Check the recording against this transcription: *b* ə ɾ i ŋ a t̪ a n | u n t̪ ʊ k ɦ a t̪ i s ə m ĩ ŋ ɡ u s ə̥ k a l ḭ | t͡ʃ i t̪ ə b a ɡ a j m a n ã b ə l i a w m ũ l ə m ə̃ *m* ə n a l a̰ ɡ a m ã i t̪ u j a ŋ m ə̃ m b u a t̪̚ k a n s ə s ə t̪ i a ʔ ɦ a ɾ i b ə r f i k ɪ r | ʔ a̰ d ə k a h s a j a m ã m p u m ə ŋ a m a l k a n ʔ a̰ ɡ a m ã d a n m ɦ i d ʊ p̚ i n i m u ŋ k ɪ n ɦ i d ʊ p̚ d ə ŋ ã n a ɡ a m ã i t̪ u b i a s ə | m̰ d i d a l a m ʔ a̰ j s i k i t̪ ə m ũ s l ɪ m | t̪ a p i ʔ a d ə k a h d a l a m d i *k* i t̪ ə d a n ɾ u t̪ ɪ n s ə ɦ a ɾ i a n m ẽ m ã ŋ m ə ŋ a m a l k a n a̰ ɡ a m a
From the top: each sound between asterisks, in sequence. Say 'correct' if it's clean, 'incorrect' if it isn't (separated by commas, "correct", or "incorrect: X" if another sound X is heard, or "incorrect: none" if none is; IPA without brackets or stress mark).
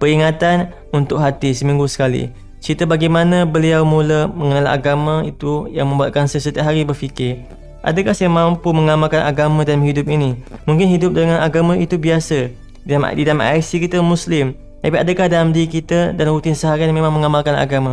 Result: incorrect: p, incorrect: ŋ, correct